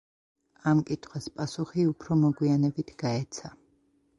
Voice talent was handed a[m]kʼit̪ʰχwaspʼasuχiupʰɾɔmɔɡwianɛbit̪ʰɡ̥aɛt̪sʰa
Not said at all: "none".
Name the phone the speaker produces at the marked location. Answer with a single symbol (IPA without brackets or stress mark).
m